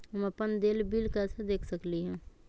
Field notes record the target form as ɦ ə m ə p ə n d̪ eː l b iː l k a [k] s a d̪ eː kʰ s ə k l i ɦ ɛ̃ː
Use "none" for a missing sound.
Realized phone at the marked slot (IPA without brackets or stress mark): none